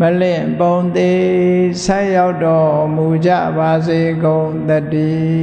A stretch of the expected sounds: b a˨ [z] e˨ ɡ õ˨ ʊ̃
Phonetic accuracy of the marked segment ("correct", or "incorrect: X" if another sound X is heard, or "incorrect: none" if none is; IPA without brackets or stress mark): correct